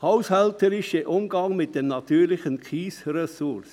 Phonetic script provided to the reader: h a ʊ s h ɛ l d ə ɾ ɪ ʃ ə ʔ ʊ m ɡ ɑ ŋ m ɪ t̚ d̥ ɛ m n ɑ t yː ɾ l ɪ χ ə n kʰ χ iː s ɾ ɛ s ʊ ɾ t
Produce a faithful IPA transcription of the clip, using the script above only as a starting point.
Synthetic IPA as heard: h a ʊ s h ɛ l t ə ɾ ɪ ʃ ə ʔ ʊ m ɡ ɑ ŋ m ɪ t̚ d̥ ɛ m n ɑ t yː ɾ l ɪ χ ə n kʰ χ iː s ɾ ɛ s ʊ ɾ s